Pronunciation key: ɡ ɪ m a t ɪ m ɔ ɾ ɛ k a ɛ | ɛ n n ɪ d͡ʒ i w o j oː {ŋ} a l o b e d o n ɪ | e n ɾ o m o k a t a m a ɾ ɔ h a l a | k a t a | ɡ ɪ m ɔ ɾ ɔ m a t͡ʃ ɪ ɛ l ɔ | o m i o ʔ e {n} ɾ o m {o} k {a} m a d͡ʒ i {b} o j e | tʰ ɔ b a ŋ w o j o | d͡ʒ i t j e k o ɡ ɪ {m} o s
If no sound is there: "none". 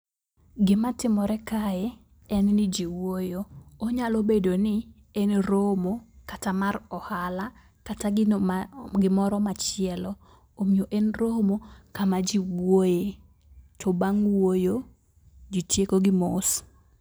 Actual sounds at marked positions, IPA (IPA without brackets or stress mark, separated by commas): ɲ, n, o, a, w, m